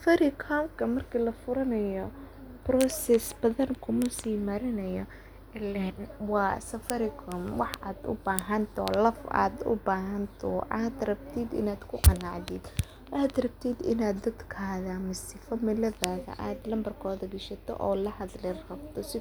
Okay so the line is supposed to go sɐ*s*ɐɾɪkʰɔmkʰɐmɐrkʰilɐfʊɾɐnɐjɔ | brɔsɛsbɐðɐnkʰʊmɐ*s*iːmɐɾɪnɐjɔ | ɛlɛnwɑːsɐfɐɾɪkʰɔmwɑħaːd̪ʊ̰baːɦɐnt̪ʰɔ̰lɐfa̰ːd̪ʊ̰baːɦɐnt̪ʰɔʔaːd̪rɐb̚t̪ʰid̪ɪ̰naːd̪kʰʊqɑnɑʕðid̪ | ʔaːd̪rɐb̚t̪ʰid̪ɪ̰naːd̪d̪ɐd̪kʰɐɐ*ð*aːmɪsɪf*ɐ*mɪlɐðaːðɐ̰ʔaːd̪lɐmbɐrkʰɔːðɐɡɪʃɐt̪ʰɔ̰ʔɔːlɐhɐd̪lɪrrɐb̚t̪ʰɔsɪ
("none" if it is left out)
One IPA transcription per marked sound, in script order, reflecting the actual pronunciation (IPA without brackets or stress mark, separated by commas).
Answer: f, s, ð, ɐ